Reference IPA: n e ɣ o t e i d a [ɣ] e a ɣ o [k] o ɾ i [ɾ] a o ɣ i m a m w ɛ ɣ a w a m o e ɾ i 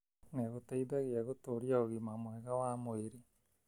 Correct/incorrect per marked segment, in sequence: correct, incorrect: t, incorrect: none

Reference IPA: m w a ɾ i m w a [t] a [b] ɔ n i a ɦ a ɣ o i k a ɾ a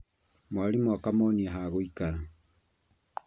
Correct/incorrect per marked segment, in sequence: incorrect: k, incorrect: m

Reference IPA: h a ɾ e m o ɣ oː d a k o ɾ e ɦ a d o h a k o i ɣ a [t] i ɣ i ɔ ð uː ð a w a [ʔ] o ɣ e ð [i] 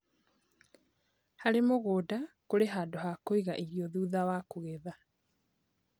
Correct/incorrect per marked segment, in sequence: incorrect: ʔ, incorrect: k, incorrect: a

